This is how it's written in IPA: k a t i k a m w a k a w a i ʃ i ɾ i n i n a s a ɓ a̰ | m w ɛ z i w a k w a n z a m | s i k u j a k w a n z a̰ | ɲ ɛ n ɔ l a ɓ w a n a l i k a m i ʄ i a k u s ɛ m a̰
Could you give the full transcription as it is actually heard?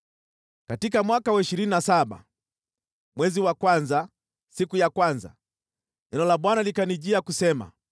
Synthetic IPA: k a t i k a m w a k a w a i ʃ i ɾ i n i n a s a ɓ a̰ | m w ɛ z i w a k w a n z a | s i k u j a k w a n z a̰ | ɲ ɛ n ɔ l a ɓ w a n a l i k a n i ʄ i a k u s ɛ m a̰